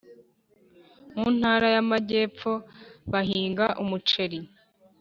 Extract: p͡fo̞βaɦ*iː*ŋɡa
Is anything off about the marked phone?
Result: no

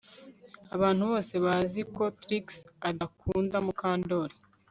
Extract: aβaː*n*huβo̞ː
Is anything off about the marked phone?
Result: no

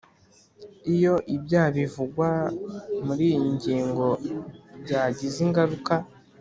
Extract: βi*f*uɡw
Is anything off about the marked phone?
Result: yes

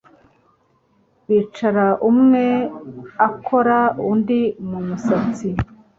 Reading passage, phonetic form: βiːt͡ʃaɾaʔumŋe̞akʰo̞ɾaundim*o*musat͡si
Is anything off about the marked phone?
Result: yes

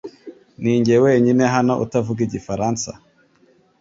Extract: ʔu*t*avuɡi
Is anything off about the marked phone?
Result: no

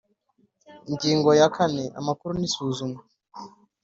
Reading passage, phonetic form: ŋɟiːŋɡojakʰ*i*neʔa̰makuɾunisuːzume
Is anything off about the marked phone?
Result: yes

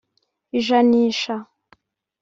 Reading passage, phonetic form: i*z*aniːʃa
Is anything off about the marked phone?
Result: yes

